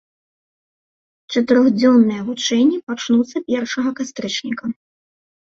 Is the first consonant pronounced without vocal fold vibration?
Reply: yes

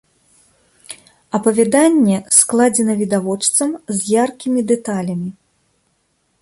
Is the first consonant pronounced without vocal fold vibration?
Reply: yes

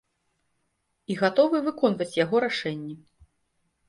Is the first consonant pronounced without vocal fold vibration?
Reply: no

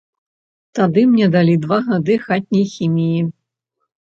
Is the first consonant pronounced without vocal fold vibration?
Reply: yes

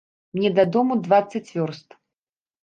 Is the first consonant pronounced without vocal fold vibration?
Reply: no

